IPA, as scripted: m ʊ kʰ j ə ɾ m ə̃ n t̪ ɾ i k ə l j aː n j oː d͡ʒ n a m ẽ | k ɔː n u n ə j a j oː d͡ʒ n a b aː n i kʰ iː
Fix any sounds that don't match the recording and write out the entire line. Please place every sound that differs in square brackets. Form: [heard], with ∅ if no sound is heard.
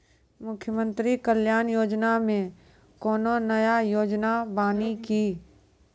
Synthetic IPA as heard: m ʊ kʰ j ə [∅] m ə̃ n t̪ ɾ i k ə l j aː n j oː d͡ʒ n a m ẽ | k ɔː n [o] n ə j a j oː d͡ʒ n a b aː n i [k] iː